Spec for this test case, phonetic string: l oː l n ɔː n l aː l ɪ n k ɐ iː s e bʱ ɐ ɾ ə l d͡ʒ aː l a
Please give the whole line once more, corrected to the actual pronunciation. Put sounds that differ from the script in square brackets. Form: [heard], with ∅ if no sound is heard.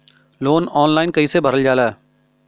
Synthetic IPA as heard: l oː [∅] n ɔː n l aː [∅] ɪ n k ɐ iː s e bʱ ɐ ɾ ə l d͡ʒ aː l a